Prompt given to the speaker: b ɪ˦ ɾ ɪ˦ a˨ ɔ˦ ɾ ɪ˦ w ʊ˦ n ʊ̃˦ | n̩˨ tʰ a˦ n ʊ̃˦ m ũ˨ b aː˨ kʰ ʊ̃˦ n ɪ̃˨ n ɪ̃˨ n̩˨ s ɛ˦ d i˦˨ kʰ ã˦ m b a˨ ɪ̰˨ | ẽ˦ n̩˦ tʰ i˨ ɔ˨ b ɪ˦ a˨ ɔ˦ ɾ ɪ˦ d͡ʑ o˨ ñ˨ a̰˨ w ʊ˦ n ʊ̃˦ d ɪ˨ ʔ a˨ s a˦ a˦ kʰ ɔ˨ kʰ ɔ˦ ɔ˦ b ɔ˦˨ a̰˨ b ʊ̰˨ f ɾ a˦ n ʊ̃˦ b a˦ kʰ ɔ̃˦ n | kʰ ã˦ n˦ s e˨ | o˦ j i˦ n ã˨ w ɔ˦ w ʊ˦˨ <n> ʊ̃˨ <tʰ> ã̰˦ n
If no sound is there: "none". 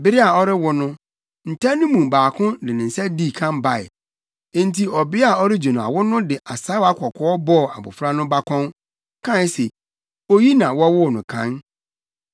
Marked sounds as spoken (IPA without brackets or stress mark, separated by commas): n, kʰ